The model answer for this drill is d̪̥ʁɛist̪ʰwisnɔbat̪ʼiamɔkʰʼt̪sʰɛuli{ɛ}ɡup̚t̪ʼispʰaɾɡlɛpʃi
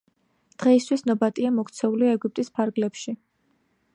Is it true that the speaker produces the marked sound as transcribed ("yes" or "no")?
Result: yes